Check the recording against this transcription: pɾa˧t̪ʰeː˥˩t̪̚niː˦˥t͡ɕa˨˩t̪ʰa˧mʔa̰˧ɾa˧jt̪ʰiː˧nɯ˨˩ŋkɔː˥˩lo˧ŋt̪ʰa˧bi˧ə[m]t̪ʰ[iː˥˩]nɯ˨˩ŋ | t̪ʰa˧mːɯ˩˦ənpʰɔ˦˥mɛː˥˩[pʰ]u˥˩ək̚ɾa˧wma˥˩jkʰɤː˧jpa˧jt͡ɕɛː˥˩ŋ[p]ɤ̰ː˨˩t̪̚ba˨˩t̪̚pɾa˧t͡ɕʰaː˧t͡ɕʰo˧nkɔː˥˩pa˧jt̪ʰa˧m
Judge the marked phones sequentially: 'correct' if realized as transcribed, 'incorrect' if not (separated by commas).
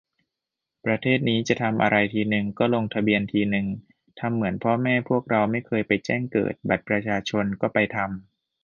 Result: incorrect, incorrect, correct, incorrect